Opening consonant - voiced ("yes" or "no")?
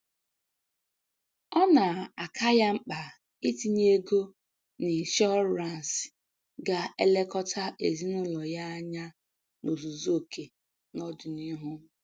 yes